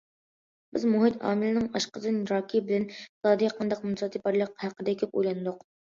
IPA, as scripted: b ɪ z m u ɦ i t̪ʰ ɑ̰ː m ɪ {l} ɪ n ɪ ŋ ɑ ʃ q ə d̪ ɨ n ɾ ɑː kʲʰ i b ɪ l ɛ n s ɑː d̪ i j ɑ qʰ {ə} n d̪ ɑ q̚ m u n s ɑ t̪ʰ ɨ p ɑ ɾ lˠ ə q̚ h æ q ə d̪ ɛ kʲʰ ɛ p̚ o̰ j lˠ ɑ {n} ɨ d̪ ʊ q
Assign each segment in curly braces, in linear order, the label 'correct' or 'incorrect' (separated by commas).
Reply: correct, incorrect, correct